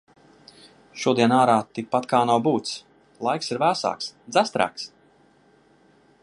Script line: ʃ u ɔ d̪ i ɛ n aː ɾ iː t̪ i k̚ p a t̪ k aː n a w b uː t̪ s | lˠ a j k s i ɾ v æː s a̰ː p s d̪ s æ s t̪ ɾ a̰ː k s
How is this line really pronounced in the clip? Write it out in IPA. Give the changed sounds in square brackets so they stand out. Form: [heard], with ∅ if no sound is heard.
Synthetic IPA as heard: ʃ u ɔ d̪ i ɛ n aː ɾ [aː] t̪ i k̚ p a t̪ k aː n a w b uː t̪ s | lˠ a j k s i ɾ v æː s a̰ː [k] s d̪ [z] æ s t̪ ɾ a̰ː k s